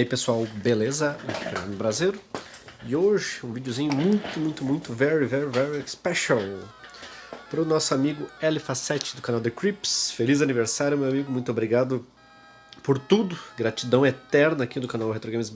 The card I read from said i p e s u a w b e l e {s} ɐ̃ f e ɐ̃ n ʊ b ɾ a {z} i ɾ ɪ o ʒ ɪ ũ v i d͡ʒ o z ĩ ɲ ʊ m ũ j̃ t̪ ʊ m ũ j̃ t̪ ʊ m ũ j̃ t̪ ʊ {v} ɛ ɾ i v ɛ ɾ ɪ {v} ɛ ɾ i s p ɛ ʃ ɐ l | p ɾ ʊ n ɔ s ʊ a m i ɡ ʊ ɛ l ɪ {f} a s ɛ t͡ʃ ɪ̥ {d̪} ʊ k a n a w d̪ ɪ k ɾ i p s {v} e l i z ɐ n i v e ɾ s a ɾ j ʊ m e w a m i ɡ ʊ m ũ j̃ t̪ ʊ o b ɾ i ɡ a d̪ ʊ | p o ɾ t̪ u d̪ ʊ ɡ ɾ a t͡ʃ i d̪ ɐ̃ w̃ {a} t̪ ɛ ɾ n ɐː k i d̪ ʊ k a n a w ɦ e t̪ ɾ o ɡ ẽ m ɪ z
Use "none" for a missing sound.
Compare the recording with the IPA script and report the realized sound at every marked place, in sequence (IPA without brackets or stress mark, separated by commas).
z, z, v, v, f, d̪, f, e